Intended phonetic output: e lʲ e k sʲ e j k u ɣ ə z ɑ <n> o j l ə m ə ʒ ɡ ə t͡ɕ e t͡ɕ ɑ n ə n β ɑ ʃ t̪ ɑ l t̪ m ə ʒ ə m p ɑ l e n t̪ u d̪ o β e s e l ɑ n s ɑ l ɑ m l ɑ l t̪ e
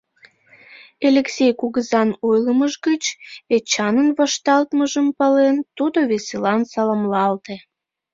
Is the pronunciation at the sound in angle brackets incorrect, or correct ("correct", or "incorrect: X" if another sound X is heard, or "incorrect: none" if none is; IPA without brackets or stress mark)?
correct